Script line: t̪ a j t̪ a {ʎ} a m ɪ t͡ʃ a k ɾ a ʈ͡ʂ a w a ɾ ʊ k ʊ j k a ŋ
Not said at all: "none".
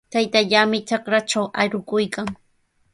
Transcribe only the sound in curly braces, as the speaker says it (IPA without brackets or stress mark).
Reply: ʎ